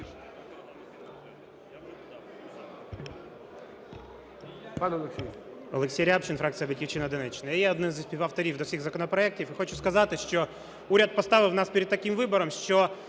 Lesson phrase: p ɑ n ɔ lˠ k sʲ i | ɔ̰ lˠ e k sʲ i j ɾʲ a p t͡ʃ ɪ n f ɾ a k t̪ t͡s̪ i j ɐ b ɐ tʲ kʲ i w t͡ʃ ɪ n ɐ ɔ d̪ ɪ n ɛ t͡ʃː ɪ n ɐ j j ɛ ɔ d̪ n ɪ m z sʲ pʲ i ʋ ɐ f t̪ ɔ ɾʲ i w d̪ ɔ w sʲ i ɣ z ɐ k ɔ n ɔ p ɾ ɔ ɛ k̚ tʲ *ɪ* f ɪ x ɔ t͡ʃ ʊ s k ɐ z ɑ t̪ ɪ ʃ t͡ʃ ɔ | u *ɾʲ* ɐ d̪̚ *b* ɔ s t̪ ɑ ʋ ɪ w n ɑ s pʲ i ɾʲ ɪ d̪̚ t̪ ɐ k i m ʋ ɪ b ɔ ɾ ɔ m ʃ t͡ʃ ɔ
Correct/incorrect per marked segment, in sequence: incorrect: i, correct, incorrect: p

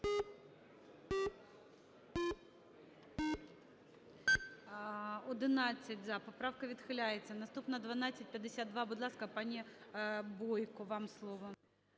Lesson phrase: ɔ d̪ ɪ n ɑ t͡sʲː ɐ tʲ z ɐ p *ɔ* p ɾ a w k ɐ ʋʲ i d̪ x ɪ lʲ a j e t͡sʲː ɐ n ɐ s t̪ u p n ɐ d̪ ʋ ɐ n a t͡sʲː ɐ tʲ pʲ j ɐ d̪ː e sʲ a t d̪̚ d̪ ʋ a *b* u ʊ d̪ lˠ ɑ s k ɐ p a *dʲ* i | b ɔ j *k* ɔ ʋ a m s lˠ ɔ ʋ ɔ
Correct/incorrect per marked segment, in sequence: correct, correct, incorrect: nʲ, correct

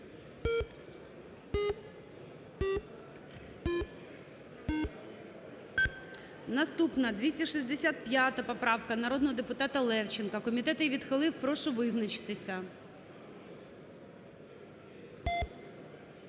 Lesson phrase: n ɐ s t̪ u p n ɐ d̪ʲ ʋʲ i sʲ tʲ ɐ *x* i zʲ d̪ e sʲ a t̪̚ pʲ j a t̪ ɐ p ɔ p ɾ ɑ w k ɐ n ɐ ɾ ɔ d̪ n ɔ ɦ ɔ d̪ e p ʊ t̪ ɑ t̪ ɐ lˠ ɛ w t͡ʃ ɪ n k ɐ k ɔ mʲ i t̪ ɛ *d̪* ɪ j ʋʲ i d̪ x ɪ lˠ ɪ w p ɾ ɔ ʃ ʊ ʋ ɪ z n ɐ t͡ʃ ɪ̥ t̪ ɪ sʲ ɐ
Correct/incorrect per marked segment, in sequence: incorrect: ʃ, incorrect: t̪

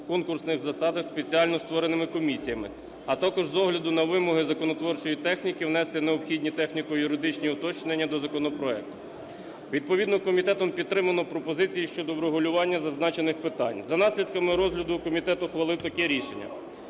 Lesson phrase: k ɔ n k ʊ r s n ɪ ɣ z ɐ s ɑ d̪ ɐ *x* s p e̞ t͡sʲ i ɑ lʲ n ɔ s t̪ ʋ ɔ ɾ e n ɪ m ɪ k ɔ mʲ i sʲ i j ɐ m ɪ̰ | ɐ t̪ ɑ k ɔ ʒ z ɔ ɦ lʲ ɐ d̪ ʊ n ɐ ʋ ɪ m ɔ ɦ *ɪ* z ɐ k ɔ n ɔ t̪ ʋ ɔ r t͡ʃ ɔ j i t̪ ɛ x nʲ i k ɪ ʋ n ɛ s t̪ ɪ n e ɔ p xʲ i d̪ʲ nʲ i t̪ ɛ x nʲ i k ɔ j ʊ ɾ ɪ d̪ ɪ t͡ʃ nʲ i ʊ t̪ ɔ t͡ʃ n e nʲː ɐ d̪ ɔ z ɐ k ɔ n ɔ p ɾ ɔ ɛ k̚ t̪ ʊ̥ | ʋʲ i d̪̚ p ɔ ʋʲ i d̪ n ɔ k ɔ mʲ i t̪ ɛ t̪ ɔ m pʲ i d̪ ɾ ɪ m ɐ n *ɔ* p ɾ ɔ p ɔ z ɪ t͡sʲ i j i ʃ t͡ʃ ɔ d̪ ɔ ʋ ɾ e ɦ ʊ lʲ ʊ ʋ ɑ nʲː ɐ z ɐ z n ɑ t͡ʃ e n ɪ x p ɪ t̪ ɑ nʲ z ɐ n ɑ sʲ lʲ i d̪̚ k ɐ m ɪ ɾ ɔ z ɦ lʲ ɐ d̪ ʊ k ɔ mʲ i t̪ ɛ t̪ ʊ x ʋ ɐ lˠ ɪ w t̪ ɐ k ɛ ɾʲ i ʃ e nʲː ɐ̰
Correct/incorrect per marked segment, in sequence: correct, correct, correct

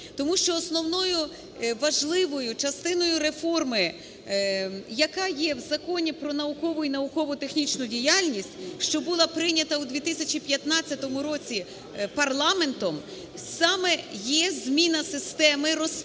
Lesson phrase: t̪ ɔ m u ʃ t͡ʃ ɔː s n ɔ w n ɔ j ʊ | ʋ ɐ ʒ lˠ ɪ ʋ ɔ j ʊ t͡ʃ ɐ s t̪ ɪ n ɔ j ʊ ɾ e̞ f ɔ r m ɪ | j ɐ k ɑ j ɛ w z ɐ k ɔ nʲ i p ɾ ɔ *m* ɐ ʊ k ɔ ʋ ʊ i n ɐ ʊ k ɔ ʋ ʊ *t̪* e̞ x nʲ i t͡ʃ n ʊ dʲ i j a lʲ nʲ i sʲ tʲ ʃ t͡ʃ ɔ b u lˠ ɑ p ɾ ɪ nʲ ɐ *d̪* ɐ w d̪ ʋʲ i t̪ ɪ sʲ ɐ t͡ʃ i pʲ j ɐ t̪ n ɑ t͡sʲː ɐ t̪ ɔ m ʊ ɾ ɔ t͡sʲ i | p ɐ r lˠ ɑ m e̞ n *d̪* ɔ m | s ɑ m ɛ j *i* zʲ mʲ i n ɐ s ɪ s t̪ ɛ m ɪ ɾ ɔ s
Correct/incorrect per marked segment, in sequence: incorrect: n, correct, incorrect: t̪, incorrect: t̪, incorrect: ɛ

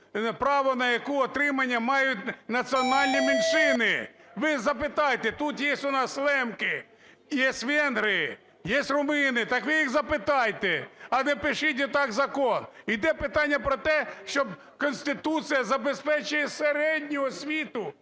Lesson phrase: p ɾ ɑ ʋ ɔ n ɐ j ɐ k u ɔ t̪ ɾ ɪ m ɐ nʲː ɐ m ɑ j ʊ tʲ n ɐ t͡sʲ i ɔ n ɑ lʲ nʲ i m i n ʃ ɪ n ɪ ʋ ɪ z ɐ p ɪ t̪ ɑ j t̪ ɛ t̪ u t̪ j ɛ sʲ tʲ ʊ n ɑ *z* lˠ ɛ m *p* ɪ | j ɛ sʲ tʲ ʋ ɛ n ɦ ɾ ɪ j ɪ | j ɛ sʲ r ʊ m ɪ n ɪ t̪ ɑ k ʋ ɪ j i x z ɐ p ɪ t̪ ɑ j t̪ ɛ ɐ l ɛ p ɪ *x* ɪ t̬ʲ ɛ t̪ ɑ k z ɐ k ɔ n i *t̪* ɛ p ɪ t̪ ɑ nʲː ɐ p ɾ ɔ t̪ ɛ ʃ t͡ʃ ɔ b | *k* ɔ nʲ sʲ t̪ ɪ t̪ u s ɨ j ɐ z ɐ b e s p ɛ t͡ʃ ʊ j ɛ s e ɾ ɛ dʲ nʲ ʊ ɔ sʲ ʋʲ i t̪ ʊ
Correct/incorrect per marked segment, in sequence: incorrect: s, incorrect: k, incorrect: ʃ, incorrect: d̪, correct

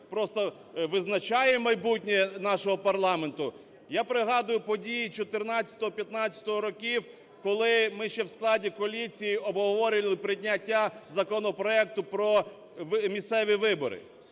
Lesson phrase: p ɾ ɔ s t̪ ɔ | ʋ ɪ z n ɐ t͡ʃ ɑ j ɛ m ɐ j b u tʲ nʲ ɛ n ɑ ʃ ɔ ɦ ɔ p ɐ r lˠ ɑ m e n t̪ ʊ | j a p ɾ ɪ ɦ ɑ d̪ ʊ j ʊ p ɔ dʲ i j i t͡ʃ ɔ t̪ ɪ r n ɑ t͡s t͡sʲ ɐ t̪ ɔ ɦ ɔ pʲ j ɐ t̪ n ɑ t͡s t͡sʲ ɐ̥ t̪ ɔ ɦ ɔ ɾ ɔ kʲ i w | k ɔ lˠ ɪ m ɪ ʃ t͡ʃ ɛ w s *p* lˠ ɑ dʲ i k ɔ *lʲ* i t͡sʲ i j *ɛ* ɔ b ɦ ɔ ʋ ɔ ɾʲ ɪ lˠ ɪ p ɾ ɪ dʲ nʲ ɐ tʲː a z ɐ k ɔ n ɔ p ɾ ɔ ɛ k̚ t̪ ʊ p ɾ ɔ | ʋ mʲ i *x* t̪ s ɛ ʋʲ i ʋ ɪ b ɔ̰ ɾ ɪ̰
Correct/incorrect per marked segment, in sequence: incorrect: k, correct, incorrect: i, incorrect: s

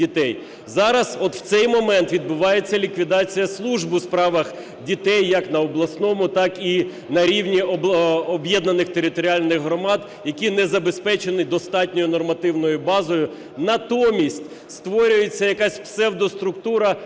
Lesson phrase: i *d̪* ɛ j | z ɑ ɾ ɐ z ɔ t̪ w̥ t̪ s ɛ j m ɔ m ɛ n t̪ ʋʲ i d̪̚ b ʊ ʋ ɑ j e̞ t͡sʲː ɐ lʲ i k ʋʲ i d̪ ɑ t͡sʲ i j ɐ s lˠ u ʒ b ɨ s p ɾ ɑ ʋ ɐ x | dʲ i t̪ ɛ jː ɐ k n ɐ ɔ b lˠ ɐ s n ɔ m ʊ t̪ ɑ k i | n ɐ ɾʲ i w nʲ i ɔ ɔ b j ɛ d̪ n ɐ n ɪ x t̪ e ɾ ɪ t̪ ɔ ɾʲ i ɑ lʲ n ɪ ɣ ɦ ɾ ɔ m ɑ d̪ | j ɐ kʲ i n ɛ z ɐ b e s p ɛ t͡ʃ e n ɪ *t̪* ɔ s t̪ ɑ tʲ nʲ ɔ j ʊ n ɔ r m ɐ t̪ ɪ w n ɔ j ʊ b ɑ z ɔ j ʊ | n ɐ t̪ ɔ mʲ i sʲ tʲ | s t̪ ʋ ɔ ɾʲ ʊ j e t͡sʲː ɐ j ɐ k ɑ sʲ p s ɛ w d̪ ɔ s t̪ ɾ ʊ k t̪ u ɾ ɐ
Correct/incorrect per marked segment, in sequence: incorrect: t̪, incorrect: d̪

